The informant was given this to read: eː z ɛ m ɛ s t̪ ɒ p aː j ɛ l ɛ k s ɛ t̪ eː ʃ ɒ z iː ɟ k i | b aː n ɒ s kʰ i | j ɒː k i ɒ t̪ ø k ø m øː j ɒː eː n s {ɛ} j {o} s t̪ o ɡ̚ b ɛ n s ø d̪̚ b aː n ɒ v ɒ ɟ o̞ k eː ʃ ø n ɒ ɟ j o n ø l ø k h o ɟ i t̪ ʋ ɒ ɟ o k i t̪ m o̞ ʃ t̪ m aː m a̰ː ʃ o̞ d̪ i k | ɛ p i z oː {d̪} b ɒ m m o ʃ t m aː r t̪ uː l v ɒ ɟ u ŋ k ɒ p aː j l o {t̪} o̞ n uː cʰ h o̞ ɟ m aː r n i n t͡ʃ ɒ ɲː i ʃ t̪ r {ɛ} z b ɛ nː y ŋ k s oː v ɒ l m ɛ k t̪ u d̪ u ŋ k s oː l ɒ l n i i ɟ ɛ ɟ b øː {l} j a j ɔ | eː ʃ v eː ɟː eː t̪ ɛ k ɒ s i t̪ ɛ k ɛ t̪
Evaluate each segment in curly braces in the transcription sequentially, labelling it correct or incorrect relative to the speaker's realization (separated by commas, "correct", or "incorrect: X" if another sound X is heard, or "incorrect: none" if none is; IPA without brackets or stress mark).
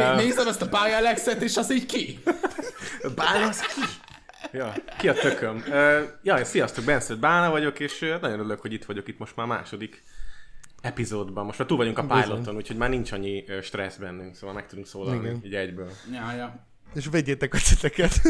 incorrect: i, incorrect: ɒ, correct, correct, correct, correct